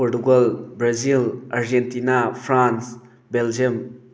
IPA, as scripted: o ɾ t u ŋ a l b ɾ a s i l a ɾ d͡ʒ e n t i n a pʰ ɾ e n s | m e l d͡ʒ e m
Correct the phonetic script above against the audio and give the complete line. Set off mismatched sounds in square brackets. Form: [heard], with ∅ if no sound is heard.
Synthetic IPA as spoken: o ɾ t u [ɡ] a l b ɾ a [z] i l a ɾ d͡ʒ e n t i n a pʰ ɾ [a] n s | [b] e l d͡ʒ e m